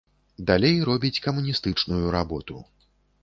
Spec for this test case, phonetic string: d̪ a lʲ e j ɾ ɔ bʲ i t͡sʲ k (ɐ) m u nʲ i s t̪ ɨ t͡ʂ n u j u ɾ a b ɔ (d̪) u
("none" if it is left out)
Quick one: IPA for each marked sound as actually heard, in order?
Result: ɐ, t̪

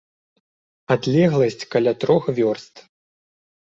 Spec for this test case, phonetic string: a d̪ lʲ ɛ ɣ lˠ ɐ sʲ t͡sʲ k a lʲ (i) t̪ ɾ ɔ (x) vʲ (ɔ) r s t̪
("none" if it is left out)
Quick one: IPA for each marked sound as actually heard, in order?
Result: a, x, ɔ

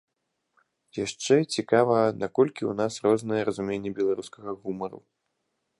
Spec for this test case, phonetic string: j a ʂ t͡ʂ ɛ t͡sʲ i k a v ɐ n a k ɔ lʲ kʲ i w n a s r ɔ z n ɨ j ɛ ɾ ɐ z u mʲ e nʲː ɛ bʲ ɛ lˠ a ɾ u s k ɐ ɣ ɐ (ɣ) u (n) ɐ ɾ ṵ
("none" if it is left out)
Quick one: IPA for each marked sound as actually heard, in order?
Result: ɣ, m

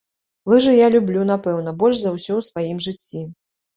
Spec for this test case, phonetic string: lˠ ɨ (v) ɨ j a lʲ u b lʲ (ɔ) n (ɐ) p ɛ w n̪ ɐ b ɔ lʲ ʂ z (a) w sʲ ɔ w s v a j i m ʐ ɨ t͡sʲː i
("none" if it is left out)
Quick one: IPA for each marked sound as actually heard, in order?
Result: ʐ, u, a, ɐ

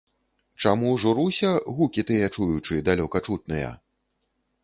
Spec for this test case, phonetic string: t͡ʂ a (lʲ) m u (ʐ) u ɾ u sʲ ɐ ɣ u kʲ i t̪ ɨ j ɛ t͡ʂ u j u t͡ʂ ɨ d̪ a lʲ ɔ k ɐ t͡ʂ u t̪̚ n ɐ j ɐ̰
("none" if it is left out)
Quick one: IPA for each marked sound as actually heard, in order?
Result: none, ʐ

